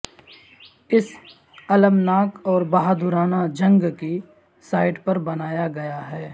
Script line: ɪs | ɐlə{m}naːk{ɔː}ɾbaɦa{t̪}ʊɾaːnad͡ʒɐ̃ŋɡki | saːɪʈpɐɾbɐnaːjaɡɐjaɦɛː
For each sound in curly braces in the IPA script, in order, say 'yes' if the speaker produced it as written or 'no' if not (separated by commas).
yes, yes, no